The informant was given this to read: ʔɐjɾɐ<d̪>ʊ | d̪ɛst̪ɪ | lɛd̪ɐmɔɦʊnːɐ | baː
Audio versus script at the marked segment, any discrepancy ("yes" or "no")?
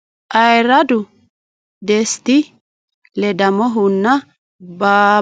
no